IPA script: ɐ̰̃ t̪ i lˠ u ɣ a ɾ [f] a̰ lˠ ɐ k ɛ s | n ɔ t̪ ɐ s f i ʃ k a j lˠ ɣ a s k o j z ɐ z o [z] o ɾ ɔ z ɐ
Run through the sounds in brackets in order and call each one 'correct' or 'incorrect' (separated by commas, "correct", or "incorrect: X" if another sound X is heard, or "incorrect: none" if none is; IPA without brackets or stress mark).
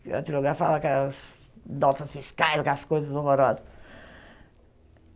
correct, incorrect: ʁ